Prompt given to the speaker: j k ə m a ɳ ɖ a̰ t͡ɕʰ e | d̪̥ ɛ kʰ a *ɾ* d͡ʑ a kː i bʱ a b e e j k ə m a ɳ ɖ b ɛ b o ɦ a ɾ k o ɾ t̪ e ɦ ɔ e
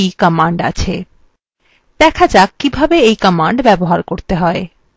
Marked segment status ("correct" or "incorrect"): incorrect